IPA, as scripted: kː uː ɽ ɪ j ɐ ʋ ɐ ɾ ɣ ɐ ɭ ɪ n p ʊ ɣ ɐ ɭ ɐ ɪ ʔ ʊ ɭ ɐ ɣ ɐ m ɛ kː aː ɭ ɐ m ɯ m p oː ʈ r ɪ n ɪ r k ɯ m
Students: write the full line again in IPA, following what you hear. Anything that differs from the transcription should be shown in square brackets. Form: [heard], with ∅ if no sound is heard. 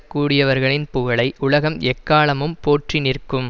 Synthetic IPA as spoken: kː uː ɽ ɪ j ɐ ʋ ɐ ɾ ɣ ɐ ɭ ɪ n p ʊ ɣ ɐ ɭ ɐ ɪ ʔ ʊ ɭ ɐ ɣ ɐ m ɛ kː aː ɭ ɐ m ɯ m p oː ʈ r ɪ n ɪ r k ɯ m